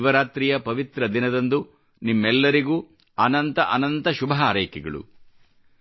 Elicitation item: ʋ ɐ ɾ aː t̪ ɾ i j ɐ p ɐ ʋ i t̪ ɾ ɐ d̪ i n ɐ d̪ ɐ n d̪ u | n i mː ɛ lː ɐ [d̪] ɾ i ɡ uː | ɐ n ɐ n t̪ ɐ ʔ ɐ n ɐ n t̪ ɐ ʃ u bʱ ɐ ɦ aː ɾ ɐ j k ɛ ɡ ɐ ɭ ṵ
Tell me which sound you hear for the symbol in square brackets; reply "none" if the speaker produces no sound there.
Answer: none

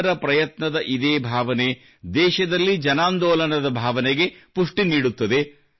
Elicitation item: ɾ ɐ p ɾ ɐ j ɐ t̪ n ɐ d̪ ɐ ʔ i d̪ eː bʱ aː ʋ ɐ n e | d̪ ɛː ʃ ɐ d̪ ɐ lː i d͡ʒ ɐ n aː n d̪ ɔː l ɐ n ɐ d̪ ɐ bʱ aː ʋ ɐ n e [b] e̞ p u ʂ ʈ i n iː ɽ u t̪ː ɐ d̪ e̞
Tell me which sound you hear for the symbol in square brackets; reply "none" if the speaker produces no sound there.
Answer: ɡ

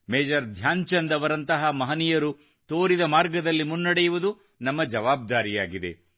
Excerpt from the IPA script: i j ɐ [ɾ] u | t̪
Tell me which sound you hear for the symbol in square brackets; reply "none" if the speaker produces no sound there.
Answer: ɾ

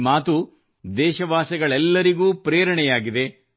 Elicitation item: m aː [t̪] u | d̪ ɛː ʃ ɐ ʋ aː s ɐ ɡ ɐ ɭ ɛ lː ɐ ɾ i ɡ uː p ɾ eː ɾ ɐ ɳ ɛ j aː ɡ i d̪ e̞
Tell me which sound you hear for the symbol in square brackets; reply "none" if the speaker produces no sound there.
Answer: t̪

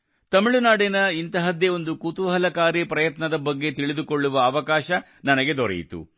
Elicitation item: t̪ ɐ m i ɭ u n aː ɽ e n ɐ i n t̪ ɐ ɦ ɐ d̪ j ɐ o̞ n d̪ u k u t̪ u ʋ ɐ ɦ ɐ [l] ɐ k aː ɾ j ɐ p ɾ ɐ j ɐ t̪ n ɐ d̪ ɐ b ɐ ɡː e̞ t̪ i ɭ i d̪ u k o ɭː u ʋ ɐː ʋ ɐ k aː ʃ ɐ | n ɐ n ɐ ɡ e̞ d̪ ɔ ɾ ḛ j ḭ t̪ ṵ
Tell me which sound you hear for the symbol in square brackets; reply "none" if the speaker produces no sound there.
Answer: l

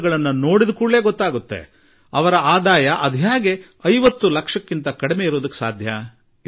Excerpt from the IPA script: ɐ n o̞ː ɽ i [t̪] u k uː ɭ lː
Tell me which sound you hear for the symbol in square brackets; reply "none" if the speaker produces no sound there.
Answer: d̪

